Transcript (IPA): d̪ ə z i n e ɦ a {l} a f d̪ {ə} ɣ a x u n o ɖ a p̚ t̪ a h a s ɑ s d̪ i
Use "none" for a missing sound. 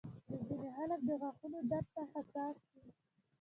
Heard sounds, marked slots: l, ə

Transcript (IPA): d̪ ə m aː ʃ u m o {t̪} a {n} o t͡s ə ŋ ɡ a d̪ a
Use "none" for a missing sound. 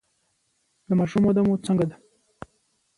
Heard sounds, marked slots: d̪, m

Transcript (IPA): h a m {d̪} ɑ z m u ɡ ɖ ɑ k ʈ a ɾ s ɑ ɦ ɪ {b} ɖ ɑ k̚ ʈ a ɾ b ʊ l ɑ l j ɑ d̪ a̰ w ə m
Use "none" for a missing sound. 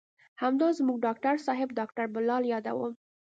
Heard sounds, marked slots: d̪, b

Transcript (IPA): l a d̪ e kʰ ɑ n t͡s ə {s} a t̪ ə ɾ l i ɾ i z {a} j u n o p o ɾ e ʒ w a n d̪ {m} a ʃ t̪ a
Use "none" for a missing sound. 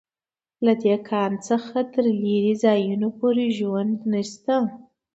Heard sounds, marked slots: x, ɑ, n

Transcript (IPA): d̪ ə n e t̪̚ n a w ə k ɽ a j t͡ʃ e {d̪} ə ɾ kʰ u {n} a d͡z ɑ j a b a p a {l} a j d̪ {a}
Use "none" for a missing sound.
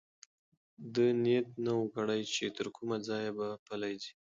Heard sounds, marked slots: t̪, m, l, i

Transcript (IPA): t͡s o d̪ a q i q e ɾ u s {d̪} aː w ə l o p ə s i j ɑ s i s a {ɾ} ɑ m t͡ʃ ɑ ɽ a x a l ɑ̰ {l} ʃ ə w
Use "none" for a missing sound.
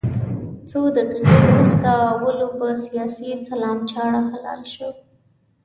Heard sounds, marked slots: t̪, l, l

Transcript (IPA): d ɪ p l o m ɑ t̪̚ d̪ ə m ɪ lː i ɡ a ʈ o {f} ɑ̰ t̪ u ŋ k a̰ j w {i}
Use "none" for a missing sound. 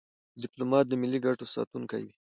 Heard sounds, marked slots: s, i

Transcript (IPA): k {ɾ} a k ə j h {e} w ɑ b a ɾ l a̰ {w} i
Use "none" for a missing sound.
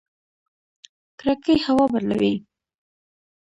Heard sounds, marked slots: ɾ, a, w

